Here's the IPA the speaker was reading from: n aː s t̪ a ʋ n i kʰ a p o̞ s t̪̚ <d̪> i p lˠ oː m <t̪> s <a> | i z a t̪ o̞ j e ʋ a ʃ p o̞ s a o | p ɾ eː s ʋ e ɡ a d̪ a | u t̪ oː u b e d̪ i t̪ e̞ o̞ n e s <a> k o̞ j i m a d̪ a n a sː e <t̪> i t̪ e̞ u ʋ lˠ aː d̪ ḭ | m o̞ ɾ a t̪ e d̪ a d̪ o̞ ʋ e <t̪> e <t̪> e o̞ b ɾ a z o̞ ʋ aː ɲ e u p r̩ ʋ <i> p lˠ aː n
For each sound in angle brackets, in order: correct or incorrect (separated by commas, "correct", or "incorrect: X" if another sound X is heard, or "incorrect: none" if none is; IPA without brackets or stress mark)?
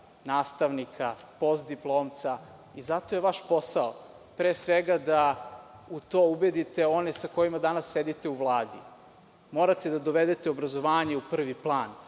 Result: correct, correct, correct, correct, incorrect: d̪, incorrect: d̪, correct, correct